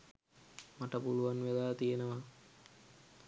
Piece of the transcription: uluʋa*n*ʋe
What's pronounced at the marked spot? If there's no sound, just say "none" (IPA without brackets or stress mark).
n